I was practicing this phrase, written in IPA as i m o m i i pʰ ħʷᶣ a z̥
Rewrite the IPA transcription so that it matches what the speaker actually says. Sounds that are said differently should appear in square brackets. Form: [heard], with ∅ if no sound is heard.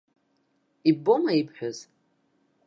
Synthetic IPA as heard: i [b] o m [a] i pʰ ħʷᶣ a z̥